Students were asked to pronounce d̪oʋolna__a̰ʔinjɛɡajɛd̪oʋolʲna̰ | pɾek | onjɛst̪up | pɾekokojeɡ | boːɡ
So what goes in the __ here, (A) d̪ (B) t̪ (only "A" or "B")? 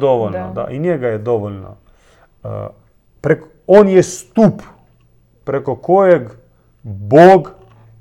A